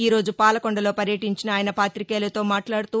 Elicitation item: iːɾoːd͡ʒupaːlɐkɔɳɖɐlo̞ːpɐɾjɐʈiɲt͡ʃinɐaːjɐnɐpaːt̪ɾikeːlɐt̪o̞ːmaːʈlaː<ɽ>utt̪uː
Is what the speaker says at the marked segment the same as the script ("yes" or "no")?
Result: yes